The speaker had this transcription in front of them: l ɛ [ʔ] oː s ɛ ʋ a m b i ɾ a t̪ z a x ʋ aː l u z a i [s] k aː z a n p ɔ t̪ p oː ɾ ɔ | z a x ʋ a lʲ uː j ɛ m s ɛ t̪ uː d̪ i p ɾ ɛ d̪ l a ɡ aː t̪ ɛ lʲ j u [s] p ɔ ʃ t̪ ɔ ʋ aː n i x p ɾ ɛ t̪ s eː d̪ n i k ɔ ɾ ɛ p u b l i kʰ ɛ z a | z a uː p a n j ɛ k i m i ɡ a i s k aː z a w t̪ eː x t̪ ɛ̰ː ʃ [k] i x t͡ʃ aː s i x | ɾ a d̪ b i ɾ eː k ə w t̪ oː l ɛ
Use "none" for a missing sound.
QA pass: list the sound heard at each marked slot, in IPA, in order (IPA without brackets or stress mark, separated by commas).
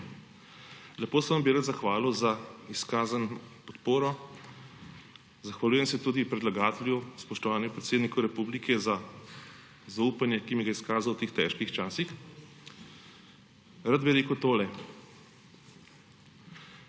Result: p, s, s, k